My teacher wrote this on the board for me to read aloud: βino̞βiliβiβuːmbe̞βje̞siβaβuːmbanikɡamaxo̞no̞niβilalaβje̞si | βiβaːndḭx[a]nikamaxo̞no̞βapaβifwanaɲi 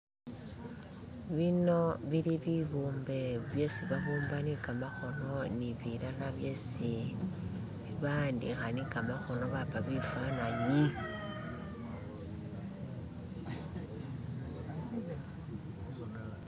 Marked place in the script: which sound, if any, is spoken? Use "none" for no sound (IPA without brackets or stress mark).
a